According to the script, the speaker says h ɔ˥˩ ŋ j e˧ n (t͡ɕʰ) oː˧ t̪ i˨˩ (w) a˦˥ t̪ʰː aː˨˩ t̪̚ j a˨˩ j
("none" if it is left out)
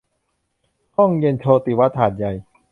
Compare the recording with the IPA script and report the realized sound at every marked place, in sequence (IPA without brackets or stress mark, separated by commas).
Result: t͡ɕʰ, w